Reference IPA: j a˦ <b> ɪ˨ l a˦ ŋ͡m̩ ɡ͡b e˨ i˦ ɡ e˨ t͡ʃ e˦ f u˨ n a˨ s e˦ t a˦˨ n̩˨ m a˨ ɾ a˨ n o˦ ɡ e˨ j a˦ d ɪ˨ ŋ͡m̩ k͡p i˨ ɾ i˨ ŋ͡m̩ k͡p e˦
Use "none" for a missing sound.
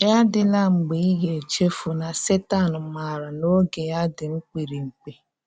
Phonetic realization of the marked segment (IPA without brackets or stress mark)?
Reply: d